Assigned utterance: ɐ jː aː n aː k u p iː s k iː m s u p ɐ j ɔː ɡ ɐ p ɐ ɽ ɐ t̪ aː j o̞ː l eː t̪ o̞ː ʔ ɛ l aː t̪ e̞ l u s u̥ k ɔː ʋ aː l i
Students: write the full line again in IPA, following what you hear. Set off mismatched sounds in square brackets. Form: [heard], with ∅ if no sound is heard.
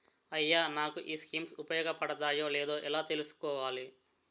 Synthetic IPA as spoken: ɐ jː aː n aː k u [ʔ] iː s k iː m s u p ɐ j ɔː ɡ ɐ p ɐ ɽ ɐ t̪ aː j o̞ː l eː [d̪] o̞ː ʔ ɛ l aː t̪ e̞ l u s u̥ k ɔː ʋ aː l i